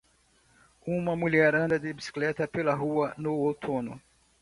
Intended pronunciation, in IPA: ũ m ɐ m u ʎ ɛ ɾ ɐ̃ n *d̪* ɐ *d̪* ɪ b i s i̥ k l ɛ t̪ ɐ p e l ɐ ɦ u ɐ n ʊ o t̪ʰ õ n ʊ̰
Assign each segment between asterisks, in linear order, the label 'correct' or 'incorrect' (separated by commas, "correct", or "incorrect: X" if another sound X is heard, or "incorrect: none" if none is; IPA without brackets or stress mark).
correct, correct